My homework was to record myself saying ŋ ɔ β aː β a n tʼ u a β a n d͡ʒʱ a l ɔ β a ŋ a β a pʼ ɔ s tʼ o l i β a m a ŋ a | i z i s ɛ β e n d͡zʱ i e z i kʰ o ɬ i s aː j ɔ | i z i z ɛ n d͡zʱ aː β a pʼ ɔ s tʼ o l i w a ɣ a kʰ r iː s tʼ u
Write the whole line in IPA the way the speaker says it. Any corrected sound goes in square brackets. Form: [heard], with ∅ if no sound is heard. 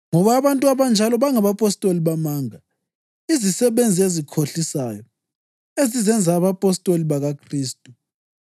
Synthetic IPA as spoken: ŋ ɔ β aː β a n tʼ u a β a n d͡ʒʱ a l ɔ β a ŋ a β a pʼ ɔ s tʼ o l i β a m a ŋ a | i z i s ɛ β e n d͡zʱ i e z i kʰ o ɬ i s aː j ɔ | [e] z i z ɛ n d͡zʱ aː β a pʼ ɔ s tʼ o l i [β] a ɣ a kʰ r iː s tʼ u